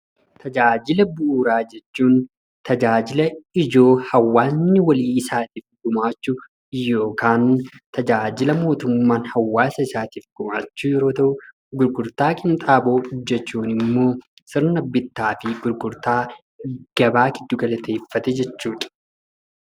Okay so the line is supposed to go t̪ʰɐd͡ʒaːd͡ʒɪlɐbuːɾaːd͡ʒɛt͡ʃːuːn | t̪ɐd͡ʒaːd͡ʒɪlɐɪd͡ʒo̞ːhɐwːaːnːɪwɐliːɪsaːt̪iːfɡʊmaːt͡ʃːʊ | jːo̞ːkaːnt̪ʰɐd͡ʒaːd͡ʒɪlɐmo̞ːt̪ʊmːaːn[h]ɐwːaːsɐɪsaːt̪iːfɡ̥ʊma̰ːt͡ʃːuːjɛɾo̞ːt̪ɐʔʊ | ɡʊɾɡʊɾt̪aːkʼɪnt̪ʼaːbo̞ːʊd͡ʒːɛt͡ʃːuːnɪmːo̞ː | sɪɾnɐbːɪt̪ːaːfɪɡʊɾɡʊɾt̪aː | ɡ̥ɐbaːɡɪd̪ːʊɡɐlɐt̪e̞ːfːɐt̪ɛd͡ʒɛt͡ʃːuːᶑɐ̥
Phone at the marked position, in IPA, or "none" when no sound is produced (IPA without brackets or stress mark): h